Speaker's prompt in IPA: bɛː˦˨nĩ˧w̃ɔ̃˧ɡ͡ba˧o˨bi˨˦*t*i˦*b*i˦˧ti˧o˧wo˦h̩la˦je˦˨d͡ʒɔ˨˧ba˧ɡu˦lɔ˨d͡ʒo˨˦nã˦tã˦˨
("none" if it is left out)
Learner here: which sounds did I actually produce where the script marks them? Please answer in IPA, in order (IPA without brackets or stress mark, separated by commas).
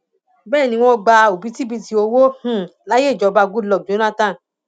t, b